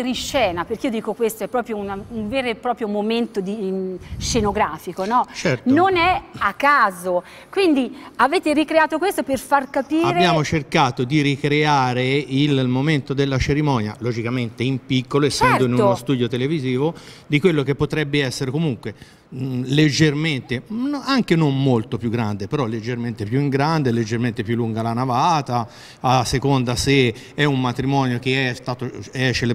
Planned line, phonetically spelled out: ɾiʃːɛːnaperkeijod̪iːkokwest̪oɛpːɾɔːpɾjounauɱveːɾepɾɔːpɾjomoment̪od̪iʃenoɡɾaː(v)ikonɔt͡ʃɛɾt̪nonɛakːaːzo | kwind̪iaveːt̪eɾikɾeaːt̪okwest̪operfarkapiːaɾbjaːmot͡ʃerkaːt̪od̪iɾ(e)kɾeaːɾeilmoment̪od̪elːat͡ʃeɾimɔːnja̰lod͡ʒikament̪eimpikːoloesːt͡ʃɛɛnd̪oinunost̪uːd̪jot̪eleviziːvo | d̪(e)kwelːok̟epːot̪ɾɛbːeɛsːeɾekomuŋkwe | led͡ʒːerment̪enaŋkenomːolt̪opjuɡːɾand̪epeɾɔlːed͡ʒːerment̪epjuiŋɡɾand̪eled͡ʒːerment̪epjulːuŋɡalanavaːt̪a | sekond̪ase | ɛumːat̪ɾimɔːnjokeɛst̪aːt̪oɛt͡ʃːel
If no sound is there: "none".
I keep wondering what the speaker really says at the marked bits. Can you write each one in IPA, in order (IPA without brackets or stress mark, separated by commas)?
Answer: f, i, i